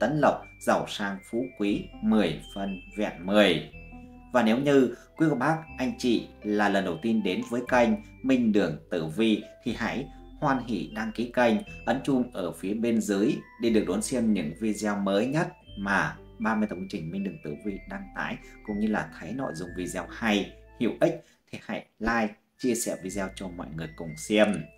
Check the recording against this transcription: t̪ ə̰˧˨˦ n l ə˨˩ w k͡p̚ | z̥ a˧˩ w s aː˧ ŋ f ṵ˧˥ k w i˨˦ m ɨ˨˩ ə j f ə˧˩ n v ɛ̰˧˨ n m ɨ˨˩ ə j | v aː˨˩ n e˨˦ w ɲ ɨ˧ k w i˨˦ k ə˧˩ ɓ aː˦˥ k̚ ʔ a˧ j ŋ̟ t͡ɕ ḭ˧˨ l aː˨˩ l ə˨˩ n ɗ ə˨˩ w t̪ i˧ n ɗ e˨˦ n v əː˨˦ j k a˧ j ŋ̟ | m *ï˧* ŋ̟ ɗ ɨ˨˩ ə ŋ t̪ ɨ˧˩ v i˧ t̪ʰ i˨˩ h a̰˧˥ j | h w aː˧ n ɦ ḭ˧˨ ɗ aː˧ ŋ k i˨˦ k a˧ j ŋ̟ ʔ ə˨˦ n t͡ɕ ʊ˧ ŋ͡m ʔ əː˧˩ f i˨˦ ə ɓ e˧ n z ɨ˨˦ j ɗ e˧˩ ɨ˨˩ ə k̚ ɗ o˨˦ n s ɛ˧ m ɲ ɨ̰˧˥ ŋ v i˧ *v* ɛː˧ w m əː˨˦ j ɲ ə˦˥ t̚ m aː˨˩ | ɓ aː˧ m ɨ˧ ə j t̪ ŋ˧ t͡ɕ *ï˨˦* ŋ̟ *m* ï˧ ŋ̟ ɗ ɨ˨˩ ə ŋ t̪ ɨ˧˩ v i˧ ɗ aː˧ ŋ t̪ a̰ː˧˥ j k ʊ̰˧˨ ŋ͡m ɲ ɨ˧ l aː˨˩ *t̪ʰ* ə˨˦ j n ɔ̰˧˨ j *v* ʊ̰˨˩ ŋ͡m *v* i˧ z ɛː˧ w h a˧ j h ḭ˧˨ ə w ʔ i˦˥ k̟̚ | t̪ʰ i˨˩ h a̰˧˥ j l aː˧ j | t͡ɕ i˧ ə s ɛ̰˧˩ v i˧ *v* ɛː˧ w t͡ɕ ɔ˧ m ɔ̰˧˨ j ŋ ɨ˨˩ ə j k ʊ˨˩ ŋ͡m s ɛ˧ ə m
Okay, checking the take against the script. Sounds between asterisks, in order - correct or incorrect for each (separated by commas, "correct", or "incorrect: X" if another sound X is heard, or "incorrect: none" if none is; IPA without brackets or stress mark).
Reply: correct, incorrect: z, incorrect: ï˨˩, correct, correct, incorrect: z, correct, incorrect: z